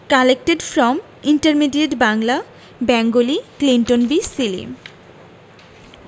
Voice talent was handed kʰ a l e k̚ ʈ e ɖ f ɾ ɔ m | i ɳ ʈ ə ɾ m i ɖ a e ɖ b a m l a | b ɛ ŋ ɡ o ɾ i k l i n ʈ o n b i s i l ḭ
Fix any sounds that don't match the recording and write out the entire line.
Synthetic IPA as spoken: k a l e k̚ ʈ e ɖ f ɾ ɔ m | i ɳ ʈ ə ɾ m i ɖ i e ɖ b a ŋ l a | b ɛ ŋ ɡ o l i k l i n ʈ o n b i s i l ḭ